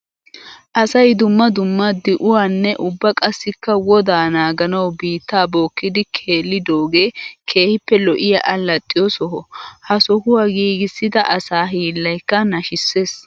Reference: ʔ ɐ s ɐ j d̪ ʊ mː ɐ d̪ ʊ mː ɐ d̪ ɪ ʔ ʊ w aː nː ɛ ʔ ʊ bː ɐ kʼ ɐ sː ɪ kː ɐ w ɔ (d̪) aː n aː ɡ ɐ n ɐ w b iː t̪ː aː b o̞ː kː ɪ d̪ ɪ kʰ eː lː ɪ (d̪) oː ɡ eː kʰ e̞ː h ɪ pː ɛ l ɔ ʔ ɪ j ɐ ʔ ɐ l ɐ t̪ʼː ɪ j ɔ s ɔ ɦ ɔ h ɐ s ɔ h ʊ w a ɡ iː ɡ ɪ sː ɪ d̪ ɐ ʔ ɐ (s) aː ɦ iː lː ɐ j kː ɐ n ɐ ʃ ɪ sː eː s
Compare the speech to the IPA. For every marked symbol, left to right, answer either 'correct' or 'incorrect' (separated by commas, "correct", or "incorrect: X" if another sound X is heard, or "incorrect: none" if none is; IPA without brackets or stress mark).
correct, correct, correct